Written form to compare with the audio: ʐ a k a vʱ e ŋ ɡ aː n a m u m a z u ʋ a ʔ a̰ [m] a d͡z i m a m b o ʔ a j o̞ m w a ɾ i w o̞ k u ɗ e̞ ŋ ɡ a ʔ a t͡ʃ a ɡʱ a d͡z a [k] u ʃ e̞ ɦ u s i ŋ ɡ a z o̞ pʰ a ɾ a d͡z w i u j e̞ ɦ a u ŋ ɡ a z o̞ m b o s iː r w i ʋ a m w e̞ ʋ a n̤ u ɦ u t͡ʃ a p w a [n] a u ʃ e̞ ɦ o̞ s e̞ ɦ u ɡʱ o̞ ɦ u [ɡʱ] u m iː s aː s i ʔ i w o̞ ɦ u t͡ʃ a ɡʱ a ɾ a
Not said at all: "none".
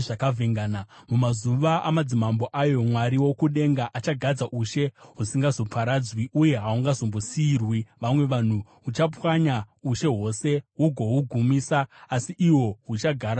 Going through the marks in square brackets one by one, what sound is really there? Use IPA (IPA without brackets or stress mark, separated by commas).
m, ʔ, ɲ, ɡʱ